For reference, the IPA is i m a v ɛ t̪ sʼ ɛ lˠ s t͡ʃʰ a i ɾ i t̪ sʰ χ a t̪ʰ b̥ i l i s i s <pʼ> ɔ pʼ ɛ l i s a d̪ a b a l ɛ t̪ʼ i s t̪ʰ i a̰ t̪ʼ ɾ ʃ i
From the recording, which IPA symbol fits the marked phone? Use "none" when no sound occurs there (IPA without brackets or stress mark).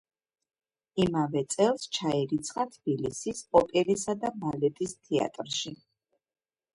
pʼ